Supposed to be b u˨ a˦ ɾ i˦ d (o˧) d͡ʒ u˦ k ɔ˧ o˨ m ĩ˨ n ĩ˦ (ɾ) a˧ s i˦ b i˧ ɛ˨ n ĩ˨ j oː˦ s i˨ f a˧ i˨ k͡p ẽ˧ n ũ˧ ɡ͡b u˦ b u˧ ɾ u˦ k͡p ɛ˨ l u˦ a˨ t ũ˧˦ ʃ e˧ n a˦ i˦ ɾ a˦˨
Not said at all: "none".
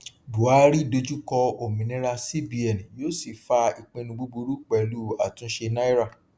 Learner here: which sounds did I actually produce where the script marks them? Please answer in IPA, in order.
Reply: o˧, ɾ

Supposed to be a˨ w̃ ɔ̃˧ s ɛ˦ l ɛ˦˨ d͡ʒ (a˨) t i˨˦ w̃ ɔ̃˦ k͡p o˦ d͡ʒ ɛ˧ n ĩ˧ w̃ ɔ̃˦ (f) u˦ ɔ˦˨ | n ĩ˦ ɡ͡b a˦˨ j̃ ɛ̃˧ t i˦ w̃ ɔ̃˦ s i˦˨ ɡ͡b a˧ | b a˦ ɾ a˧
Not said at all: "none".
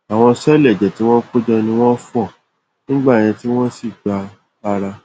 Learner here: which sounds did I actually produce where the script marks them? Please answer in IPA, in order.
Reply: ɛ˨, f

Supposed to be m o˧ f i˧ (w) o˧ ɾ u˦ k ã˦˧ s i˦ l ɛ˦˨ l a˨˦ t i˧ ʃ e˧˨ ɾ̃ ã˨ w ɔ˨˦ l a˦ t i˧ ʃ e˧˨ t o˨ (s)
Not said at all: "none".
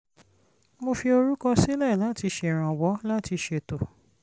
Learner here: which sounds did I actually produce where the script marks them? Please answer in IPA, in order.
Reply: none, none

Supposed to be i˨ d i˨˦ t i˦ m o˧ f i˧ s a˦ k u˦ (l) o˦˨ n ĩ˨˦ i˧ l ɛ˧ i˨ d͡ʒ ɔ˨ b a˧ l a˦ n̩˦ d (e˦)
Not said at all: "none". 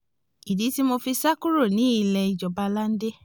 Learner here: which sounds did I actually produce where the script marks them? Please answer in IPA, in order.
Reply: ɾ, e˦

